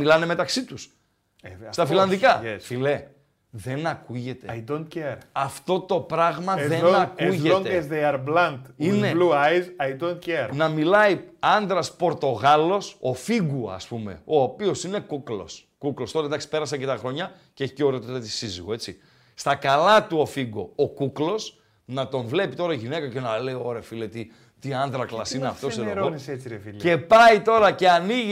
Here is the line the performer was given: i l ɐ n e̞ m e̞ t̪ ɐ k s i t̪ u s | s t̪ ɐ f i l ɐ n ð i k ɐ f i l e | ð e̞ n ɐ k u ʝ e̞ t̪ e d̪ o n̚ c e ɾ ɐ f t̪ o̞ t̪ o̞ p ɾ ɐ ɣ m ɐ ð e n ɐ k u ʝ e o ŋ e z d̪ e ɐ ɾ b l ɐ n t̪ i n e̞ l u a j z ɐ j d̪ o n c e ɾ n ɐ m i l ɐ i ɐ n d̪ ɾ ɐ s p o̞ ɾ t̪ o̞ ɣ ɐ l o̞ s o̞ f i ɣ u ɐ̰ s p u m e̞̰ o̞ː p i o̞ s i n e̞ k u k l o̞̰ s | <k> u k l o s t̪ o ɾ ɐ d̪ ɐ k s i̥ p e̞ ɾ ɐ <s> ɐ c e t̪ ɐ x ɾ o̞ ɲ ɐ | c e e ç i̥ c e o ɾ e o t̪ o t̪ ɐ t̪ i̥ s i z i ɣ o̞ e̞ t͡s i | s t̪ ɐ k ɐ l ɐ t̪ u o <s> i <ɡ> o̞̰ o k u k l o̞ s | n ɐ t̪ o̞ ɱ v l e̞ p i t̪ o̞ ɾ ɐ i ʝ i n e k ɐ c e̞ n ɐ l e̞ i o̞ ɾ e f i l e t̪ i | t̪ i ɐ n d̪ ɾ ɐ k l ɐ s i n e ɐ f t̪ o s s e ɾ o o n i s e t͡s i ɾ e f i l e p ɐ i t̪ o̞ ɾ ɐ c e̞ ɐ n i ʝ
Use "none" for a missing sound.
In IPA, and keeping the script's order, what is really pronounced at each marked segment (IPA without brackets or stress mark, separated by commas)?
k, s, f, ɡ